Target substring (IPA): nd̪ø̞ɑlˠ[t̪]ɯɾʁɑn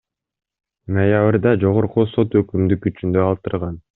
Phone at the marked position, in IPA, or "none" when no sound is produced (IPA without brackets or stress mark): t̪